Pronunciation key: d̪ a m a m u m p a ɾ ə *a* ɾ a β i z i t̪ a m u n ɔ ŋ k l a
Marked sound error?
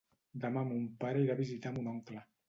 yes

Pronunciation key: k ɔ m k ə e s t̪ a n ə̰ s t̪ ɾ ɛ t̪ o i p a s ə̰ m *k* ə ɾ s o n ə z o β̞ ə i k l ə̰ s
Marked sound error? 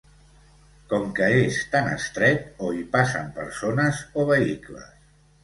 yes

